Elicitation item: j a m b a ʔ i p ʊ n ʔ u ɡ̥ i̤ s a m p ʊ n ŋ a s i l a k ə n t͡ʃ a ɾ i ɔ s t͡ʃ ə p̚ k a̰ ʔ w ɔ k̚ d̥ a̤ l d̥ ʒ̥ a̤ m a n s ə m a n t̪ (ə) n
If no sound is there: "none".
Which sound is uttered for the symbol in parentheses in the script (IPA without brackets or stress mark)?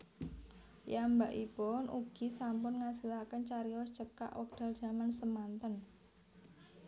ə